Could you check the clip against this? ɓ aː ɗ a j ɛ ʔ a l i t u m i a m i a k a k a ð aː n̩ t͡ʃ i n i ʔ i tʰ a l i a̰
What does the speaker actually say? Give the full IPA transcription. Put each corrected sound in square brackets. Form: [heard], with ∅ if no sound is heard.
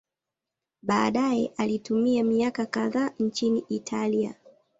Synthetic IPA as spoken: ɓ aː ɗ a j ɛ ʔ a l i t u m i a m i a k a k a ð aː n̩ t͡ʃ i n i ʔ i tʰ a l i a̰